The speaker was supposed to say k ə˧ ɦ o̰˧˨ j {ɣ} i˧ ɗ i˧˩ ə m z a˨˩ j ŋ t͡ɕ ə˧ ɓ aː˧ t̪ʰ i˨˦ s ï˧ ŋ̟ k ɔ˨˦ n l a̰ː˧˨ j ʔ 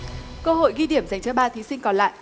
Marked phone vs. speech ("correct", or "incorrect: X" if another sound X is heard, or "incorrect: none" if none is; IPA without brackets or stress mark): correct